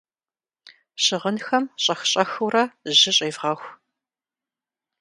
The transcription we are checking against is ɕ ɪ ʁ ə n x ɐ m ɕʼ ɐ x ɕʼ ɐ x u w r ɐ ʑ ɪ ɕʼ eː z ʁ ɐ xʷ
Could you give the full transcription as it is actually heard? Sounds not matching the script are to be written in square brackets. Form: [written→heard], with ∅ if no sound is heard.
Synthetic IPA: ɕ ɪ ʁ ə n x ɐ m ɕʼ ɐ x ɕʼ ɐ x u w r ɐ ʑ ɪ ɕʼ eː [z→v] ʁ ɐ xʷ